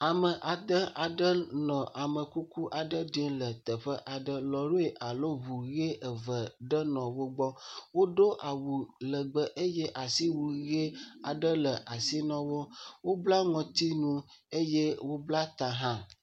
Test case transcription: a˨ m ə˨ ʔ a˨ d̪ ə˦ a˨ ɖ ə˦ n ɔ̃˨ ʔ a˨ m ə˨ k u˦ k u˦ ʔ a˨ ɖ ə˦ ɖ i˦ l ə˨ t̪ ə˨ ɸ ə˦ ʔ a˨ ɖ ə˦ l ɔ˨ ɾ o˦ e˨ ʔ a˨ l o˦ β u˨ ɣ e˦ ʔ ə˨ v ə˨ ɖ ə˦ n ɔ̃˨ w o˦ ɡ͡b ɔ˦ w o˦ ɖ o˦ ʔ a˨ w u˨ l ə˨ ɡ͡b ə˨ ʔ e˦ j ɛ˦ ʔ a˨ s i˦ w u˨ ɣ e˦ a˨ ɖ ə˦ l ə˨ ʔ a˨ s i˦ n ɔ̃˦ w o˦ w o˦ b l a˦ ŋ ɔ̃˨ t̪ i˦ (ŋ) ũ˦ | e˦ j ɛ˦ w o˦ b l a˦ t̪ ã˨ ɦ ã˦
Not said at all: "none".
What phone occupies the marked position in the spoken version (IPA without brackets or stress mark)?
n